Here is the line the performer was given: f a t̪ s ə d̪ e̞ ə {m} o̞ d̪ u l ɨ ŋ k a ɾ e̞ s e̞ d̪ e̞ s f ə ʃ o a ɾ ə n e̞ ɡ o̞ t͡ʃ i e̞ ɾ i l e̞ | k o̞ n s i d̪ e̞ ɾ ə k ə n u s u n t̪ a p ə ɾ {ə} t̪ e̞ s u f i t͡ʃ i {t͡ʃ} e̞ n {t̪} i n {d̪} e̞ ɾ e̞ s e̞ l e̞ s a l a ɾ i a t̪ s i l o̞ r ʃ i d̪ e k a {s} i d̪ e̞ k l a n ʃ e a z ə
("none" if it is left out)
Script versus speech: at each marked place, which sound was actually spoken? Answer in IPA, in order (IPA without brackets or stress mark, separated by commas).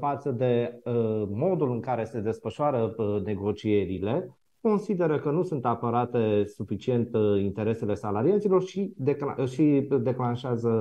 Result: m, a, none, t̪, t̪, ʃ